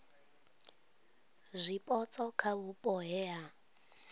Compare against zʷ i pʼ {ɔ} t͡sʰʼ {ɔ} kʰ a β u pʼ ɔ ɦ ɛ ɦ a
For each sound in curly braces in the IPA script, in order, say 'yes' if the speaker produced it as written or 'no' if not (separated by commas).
yes, yes